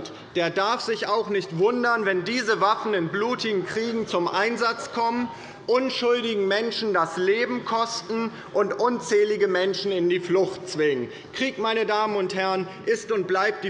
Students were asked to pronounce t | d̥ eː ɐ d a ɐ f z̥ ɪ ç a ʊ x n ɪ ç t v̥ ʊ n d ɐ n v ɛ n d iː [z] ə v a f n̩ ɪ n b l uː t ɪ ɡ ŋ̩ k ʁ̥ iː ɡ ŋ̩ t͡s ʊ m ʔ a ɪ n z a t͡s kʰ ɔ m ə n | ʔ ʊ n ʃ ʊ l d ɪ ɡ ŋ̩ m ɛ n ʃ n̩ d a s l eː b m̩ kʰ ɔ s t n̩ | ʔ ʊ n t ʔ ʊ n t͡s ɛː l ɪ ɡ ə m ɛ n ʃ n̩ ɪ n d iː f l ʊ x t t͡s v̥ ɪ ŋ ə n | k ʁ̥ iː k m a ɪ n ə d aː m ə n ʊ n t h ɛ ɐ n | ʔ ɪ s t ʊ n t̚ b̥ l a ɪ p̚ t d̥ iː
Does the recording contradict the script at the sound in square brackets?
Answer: no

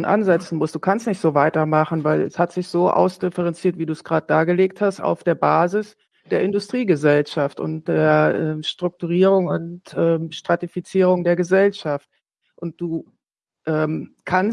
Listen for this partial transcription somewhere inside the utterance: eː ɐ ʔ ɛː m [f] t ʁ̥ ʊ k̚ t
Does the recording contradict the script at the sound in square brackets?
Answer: yes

